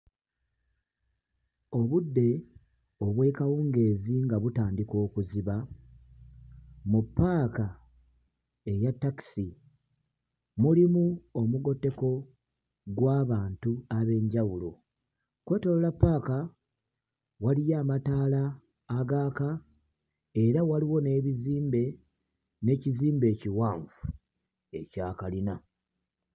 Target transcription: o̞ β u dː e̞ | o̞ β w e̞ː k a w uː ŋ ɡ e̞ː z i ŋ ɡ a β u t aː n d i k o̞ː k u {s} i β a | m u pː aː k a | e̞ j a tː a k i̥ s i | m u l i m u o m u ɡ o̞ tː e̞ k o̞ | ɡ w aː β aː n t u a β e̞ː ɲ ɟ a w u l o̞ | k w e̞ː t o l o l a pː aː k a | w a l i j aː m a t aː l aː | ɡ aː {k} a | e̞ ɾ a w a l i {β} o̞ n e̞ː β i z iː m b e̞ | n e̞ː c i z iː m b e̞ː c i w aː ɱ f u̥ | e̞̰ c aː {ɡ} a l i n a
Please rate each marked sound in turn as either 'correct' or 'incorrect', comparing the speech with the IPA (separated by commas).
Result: incorrect, correct, incorrect, incorrect